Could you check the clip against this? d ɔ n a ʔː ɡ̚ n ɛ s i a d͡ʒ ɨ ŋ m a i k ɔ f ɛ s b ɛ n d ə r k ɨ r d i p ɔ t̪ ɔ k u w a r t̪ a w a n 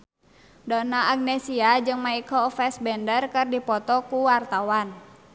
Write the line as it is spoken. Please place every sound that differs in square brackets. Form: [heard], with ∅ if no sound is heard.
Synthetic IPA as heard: d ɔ n a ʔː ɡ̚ n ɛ s i a d͡ʒ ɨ ŋ m a i k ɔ f ɛ s b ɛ n d ə r k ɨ r d i p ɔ t̪ ɔ k u w a r t̪ a w a n